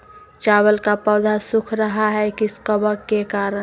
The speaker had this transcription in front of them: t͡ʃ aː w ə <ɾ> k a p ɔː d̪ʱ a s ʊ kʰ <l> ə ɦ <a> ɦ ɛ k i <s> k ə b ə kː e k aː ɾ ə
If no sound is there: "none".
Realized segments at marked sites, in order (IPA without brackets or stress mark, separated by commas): l, ɾ, a, s